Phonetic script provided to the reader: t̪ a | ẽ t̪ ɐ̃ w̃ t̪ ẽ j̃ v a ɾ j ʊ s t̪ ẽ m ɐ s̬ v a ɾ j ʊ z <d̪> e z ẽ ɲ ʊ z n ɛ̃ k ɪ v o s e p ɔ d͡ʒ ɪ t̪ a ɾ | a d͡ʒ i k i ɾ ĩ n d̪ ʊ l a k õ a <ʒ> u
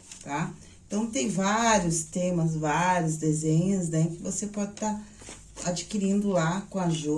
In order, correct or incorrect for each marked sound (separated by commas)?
correct, correct